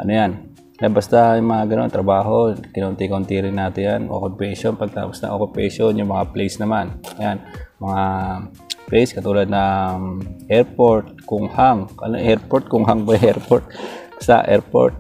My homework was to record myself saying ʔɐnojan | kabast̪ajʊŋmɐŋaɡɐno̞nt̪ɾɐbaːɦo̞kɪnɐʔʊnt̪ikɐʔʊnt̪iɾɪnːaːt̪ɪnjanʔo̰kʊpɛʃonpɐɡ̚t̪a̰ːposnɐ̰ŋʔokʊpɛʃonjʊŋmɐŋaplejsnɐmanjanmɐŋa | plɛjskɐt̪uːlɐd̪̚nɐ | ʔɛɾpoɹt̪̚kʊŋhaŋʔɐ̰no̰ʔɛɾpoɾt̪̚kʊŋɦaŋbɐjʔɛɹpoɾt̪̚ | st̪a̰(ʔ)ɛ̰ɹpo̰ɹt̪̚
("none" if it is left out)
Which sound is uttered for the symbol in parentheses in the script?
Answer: ʔ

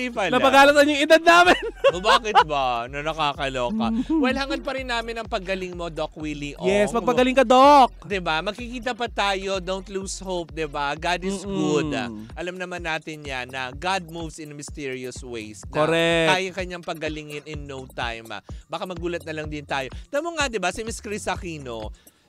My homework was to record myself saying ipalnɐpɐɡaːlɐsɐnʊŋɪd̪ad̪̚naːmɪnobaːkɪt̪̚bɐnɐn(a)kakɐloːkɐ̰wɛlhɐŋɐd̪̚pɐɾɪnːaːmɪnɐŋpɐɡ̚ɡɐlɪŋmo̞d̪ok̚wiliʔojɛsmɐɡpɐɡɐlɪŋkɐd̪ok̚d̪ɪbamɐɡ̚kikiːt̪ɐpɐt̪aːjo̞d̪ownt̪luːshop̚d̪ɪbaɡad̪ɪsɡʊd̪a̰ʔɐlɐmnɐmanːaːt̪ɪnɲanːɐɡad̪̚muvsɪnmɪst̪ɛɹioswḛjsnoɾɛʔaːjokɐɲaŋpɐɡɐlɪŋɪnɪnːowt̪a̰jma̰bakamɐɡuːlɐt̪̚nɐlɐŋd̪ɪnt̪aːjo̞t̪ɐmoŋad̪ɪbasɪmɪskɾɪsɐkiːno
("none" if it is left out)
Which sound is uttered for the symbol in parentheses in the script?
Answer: ɐ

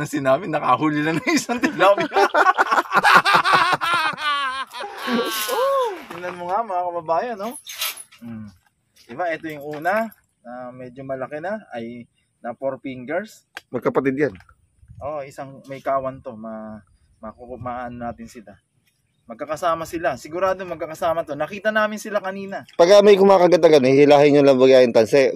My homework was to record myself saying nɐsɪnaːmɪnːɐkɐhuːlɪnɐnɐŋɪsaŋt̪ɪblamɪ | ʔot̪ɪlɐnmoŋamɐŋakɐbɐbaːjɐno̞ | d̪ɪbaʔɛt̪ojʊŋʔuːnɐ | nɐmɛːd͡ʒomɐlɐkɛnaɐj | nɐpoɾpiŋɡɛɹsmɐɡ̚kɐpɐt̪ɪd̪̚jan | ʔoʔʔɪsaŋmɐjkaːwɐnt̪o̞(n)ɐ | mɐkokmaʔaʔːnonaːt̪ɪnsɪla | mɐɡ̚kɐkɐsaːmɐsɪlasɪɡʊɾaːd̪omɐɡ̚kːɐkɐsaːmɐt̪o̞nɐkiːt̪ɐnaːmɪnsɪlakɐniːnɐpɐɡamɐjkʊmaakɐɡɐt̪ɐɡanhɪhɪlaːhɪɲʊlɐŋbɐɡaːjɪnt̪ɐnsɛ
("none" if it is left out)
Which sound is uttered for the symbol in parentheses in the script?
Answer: m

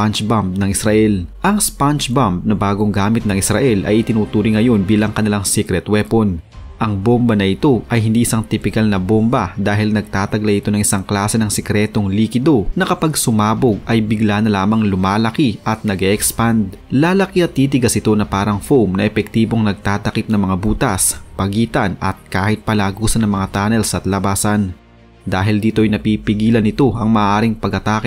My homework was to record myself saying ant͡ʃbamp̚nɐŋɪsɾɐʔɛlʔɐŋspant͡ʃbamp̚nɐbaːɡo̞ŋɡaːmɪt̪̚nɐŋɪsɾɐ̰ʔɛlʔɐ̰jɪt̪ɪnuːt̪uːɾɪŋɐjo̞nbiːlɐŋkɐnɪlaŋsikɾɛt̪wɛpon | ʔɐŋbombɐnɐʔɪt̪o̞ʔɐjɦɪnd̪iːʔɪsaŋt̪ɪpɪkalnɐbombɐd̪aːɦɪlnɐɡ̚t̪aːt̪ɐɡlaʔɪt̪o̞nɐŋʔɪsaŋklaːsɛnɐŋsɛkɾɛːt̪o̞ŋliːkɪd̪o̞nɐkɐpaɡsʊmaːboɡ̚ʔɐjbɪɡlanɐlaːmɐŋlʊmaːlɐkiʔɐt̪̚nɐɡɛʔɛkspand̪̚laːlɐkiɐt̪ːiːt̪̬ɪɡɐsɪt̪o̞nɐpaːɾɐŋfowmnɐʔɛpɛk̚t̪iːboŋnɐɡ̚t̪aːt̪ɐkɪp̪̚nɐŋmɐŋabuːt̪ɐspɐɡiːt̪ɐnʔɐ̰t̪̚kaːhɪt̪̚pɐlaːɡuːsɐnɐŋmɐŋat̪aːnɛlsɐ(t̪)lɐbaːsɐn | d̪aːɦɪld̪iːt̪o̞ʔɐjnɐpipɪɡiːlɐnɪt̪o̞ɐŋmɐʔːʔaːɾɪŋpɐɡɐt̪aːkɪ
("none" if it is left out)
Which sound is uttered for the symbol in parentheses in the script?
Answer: t̪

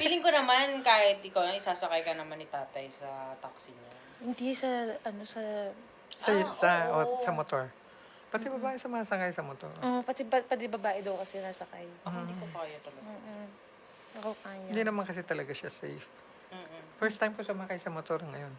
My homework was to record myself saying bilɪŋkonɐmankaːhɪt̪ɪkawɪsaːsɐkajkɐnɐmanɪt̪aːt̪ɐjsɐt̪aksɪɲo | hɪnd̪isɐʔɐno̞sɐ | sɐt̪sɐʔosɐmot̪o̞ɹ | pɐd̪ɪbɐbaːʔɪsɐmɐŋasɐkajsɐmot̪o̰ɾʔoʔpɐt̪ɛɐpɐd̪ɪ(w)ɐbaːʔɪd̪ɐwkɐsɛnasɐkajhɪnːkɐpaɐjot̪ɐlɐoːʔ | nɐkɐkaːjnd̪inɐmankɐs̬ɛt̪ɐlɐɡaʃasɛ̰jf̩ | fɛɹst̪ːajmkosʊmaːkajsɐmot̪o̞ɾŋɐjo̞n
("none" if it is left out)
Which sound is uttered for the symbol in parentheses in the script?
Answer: b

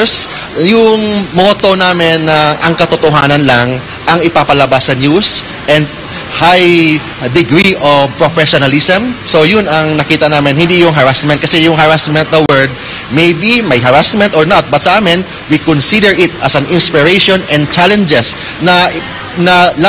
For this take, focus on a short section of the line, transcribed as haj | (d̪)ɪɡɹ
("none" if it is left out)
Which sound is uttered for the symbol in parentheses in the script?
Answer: d̪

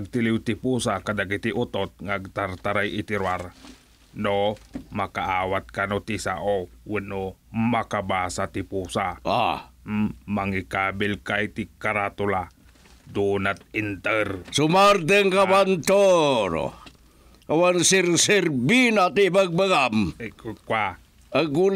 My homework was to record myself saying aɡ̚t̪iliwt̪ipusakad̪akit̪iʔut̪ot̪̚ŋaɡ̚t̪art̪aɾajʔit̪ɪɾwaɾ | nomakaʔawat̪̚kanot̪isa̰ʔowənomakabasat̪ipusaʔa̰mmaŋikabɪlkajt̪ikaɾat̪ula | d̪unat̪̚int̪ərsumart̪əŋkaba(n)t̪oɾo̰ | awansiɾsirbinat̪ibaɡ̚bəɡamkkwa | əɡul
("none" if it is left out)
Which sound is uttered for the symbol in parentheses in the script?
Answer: n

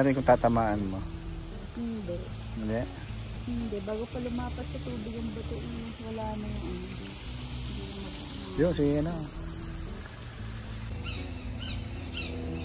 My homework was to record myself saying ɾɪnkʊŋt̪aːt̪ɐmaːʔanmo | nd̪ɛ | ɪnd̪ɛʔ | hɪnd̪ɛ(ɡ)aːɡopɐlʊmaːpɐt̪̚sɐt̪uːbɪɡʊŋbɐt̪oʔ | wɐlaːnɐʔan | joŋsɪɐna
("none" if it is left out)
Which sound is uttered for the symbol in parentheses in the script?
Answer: b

